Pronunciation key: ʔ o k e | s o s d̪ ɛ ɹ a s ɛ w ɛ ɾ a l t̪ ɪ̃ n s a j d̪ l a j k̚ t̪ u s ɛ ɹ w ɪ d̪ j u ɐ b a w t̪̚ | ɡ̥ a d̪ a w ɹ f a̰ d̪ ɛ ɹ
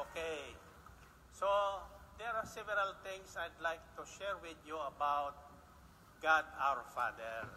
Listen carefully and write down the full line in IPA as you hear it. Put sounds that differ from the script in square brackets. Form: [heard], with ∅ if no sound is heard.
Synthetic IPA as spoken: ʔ o k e | s o [∅] d̪ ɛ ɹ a s ɛ [v] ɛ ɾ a l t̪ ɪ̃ [ŋ] s a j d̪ l a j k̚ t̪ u [ʃ] ɛ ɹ w ɪ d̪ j u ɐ b a w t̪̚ | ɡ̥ a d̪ a w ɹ f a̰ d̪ ɛ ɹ